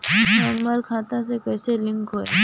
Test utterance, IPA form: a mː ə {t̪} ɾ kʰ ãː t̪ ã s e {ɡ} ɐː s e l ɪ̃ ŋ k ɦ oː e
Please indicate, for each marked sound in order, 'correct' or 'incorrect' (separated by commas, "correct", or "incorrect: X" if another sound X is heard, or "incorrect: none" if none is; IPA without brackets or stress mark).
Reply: incorrect: none, incorrect: k